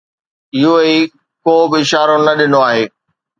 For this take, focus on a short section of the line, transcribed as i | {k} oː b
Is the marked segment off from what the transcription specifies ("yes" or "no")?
no